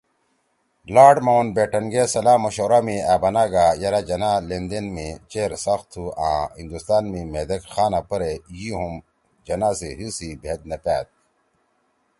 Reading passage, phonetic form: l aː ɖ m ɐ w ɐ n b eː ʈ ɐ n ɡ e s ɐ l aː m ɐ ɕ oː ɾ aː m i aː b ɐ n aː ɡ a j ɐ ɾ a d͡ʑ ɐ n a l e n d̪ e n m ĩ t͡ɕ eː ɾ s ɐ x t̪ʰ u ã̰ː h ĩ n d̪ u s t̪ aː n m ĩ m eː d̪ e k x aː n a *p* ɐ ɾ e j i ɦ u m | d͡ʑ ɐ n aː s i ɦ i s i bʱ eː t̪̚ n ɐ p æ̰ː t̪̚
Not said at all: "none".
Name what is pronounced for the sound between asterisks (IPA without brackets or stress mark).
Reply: p